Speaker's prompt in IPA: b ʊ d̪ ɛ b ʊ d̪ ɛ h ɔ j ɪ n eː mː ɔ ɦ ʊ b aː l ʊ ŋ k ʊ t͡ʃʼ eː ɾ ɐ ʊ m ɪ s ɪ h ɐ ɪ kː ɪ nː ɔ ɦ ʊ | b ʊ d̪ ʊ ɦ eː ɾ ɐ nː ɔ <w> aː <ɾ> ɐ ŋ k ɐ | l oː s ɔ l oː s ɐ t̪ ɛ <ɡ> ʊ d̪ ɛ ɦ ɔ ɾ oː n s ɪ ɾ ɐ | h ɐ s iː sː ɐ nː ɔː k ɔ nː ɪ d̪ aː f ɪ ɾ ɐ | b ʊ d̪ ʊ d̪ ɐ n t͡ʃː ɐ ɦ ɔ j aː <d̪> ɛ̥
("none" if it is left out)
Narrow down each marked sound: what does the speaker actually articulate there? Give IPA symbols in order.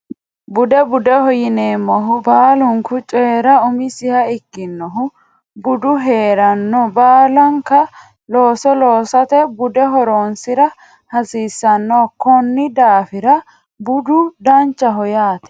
b, l, b, t̪

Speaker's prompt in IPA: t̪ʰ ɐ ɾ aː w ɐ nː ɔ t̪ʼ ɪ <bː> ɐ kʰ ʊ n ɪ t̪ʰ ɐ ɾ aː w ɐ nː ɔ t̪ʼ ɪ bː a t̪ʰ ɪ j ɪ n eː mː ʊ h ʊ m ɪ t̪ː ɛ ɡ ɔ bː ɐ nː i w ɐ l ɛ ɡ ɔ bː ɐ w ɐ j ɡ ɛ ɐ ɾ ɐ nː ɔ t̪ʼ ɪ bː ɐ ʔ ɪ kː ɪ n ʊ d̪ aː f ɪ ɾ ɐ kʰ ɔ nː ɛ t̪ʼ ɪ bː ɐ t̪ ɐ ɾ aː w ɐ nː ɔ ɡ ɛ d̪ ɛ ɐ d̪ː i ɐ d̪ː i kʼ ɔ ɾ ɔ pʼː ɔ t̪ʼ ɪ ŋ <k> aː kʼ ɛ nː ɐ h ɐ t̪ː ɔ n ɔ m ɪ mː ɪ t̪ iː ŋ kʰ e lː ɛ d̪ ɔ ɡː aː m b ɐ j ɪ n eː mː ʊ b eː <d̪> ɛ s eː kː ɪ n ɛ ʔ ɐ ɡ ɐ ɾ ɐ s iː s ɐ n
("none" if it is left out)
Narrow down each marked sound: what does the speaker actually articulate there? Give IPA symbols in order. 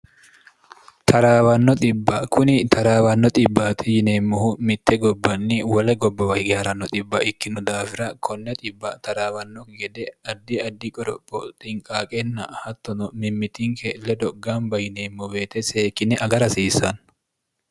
bː, kʼ, t̪

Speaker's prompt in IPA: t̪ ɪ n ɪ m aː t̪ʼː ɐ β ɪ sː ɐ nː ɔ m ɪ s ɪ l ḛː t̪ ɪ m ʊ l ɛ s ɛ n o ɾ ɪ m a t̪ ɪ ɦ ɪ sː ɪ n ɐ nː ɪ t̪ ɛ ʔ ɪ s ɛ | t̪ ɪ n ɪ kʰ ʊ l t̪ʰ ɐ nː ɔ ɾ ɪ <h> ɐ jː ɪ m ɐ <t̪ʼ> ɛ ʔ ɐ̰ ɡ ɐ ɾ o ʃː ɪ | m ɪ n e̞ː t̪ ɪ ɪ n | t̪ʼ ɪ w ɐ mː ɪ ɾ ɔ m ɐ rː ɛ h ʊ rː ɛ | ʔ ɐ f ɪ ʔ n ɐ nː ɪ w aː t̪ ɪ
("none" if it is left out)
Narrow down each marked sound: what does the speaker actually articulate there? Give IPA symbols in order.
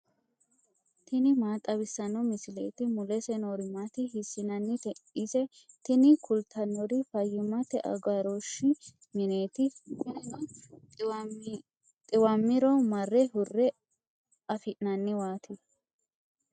f, t̪

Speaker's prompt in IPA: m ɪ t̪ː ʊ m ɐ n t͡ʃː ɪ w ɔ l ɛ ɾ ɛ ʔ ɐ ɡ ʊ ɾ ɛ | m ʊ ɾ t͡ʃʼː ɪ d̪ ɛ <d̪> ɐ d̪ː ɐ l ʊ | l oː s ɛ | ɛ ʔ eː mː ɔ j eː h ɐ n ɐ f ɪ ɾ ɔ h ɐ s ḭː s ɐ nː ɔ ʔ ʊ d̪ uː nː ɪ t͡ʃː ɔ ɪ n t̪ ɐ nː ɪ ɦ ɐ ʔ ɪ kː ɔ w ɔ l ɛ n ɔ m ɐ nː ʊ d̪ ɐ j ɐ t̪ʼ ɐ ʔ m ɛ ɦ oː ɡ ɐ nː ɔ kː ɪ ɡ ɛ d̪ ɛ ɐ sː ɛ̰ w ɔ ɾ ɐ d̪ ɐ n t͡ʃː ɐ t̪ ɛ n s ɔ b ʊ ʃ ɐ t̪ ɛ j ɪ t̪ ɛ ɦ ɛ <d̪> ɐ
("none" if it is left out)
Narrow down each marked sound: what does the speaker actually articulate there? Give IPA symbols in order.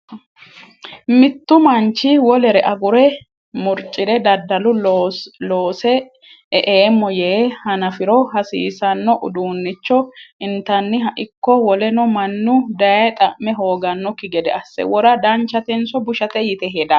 d̪, d̪

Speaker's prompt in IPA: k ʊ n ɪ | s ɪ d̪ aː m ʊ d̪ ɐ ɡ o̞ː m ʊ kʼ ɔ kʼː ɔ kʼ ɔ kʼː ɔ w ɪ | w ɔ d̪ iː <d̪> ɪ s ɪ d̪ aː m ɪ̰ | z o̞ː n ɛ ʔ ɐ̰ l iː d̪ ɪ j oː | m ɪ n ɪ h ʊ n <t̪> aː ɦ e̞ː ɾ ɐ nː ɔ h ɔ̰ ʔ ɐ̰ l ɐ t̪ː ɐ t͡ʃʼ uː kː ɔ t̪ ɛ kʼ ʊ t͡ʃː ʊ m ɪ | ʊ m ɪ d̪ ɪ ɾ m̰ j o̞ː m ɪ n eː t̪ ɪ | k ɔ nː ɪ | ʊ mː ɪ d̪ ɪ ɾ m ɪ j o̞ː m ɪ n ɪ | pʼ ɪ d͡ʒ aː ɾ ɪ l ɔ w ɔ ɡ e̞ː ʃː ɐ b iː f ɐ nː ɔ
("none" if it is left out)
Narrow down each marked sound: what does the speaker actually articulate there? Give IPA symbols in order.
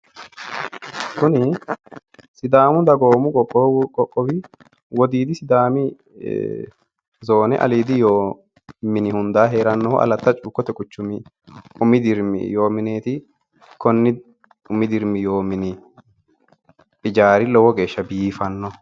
d̪, d̪

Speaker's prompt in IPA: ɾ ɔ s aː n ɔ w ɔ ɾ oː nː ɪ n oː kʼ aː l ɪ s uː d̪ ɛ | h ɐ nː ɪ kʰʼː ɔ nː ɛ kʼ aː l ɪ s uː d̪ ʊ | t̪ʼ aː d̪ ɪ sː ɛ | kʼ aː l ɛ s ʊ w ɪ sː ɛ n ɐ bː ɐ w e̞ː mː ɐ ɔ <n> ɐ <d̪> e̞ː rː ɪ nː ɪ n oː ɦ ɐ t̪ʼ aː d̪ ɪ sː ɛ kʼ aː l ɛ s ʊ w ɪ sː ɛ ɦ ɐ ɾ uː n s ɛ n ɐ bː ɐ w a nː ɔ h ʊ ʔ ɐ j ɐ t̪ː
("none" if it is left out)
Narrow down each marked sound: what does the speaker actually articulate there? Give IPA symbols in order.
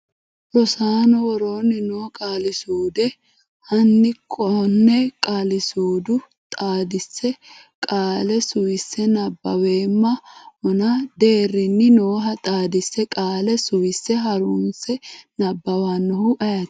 n, d̪

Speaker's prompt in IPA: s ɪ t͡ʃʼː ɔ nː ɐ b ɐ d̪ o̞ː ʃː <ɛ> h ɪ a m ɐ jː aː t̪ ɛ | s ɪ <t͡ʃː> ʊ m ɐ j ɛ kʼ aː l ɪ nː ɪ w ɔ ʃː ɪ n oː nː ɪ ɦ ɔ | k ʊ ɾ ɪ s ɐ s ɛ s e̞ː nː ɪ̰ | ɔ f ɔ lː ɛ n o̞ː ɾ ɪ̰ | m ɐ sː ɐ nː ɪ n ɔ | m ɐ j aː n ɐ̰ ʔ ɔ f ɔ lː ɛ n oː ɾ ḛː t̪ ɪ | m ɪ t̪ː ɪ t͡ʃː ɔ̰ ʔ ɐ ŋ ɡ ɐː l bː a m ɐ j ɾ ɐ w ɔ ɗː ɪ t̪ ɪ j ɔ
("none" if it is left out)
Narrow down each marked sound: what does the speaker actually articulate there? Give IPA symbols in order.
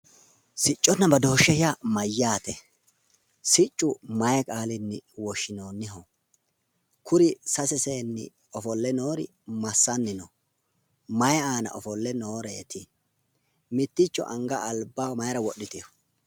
ɛ, t͡ʃʼː

